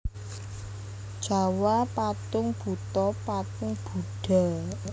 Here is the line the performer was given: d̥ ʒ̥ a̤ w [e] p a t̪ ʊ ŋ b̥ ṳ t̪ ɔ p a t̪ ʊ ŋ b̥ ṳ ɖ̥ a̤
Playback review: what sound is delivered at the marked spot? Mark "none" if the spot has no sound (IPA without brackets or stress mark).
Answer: a